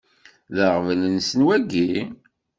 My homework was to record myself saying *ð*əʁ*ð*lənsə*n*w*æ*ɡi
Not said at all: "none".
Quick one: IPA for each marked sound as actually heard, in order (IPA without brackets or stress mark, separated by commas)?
ð, v, n, æ